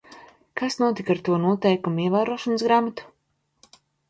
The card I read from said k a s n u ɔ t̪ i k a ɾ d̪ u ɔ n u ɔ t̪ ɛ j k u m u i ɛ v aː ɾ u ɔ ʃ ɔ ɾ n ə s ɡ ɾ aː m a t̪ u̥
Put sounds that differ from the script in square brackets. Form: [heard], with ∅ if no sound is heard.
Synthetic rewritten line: k a s n u ɔ t̪ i k a ɾ [t̪] u ɔ n u ɔ t̪ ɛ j k u m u i ɛ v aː ɾ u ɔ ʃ ɔ [∅] n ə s ɡ ɾ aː m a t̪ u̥